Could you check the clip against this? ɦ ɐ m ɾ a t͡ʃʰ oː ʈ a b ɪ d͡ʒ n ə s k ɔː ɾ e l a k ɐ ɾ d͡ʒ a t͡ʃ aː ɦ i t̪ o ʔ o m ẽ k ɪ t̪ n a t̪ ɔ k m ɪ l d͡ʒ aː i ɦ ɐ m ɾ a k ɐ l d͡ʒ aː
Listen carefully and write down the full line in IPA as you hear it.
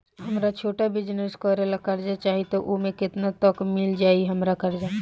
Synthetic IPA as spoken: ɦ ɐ m ɾ a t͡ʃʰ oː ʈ a b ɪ d͡ʒ n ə s k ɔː ɾ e l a k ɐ ɾ d͡ʒ a t͡ʃ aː ɦ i t̪ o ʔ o m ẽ k ɪ t̪ n a t̪ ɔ k m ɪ l d͡ʒ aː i ɦ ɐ m ɾ a k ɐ ɾ d͡ʒ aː